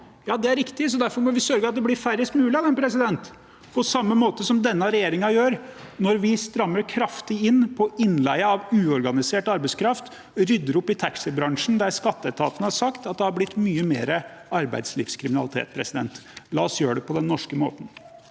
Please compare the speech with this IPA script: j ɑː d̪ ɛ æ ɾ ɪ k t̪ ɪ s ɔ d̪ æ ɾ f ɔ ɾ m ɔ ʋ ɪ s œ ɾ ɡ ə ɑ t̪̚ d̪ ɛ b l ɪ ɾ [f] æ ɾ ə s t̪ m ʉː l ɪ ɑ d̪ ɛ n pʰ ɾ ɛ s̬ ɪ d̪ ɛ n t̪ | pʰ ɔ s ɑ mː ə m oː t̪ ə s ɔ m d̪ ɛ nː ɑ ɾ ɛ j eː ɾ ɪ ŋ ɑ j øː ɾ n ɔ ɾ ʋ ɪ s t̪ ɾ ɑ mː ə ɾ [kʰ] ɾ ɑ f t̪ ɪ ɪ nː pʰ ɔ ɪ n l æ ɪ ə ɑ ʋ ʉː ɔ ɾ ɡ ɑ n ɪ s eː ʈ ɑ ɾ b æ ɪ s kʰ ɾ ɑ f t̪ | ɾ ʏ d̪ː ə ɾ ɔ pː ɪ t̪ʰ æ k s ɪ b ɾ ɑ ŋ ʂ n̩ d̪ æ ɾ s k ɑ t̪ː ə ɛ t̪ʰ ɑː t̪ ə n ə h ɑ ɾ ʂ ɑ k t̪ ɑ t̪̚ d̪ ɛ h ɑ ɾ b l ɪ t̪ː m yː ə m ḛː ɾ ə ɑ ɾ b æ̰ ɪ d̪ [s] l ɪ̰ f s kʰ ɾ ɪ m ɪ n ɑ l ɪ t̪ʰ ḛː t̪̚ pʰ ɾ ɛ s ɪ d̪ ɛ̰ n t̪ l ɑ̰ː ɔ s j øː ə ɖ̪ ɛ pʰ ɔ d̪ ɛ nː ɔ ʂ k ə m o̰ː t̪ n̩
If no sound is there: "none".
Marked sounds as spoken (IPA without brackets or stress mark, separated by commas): f, kʰ, s